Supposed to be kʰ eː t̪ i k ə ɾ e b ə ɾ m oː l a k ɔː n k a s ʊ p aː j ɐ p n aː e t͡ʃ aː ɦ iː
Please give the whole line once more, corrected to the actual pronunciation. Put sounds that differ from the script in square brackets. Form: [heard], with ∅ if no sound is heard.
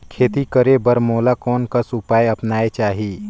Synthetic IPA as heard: kʰ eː t̪ i k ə ɾ e b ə ɾ m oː l a k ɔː n k a s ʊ p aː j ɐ p n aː e t͡ʃ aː ɦ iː